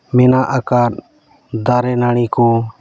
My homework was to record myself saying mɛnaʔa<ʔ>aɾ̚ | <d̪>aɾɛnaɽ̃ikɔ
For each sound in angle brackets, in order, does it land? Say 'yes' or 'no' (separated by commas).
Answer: no, yes